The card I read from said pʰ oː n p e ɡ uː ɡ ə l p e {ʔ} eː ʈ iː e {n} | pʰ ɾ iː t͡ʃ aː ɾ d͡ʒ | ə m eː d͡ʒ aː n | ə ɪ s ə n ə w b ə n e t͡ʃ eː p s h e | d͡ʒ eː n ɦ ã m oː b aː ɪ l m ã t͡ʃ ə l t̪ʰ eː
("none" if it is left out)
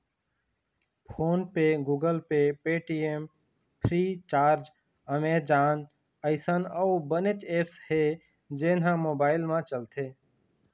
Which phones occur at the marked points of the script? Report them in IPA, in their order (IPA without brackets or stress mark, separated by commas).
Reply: p, m